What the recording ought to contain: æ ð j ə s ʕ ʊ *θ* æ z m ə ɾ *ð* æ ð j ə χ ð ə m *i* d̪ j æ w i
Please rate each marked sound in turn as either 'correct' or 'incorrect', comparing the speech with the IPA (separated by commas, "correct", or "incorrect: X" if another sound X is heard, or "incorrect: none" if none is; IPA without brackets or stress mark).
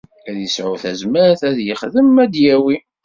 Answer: correct, incorrect: θ, incorrect: æ